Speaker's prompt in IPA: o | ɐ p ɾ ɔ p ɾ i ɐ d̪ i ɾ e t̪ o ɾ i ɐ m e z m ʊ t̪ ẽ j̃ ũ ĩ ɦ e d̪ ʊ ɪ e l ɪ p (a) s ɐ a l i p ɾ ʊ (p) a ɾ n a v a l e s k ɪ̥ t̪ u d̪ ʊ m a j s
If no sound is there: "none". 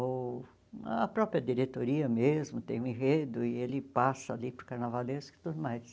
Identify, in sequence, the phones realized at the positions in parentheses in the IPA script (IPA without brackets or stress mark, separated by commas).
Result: a, k